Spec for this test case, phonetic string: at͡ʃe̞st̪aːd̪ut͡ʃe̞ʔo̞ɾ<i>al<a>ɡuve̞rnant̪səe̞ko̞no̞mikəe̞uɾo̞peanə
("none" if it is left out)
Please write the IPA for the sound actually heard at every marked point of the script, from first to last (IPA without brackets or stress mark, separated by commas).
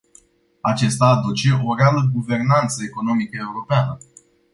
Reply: e, ə